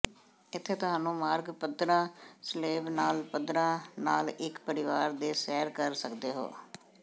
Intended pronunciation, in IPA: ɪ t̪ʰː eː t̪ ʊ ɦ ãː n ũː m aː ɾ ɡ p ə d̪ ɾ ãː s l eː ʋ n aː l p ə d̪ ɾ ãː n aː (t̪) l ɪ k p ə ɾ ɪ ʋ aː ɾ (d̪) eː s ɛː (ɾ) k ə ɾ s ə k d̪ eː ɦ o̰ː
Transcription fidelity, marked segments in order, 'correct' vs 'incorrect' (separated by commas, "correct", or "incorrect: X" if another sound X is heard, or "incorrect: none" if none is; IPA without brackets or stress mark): incorrect: none, correct, correct